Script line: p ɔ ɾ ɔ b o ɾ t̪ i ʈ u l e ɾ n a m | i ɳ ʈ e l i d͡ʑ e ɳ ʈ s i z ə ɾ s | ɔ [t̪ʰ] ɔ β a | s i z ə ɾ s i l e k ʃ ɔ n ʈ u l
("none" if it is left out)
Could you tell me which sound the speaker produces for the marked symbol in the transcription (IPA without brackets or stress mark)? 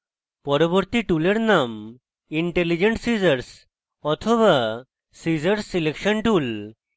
t̪ʰ